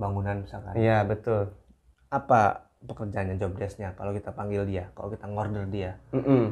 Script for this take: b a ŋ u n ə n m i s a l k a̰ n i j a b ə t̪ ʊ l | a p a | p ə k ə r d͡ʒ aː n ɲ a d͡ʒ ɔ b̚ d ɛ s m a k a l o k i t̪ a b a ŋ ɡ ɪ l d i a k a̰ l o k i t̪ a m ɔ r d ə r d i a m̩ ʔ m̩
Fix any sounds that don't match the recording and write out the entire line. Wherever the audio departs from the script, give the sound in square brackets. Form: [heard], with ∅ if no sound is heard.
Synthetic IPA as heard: b a ŋ u n [a] n m i s a l k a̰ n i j a b ə t̪ ʊ l | a p a | p ə k ə r d͡ʒ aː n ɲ a d͡ʒ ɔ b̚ d ɛ s [ɲ] a k a l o k i t̪ a [p] a ŋ ɡ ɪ l d i a k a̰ l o k i t̪ a [ŋ] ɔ r d ə r d i a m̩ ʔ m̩